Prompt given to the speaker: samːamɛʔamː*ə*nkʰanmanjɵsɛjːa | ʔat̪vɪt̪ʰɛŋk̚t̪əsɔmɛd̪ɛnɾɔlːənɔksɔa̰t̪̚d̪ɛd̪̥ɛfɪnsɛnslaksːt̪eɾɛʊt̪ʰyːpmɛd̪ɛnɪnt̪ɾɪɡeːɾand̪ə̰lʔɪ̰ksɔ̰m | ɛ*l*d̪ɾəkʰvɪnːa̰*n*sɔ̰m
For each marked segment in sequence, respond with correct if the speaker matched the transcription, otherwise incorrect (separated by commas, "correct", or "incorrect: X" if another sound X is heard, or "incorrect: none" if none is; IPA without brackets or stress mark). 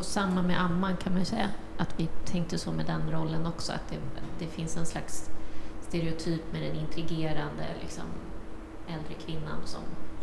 incorrect: a, correct, correct